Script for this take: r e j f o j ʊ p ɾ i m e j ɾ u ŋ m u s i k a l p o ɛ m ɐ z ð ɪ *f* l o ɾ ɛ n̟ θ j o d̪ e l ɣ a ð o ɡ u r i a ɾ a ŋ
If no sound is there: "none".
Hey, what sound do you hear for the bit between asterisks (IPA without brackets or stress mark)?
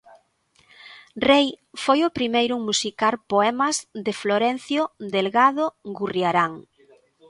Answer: f